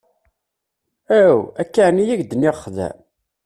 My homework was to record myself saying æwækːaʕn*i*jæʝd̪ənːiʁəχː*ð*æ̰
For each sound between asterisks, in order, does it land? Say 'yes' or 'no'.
yes, yes

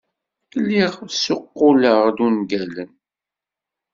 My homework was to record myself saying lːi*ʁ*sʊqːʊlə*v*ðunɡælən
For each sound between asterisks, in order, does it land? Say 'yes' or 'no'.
yes, no

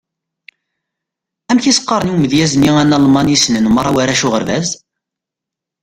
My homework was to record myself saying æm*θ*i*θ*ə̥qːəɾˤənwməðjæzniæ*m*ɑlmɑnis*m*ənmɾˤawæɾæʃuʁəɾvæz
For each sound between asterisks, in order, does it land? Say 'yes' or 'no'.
yes, no, no, no

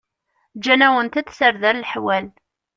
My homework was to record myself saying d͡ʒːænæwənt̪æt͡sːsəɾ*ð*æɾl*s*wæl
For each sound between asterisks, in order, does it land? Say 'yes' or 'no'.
yes, no

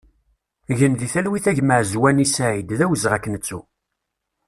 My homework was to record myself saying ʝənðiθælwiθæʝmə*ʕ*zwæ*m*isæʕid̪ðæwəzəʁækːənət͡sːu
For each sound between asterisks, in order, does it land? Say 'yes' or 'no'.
yes, no

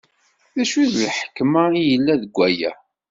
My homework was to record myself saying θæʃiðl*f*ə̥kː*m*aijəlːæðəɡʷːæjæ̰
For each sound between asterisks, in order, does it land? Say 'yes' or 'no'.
no, yes

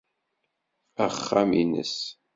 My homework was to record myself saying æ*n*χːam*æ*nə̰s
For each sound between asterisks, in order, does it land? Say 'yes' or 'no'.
no, no

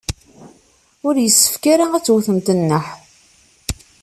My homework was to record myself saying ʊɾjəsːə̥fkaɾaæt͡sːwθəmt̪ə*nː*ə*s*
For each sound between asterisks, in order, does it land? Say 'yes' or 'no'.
yes, no

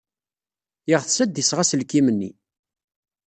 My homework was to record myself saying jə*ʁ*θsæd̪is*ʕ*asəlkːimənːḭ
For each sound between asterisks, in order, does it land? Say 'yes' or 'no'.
yes, no

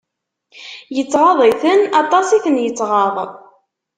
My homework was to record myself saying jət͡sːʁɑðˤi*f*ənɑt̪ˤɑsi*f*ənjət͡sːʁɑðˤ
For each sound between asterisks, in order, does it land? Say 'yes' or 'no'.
no, no

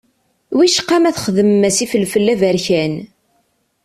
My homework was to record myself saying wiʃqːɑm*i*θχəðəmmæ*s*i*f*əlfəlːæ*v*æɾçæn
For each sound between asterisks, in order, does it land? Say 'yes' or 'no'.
no, yes, yes, yes

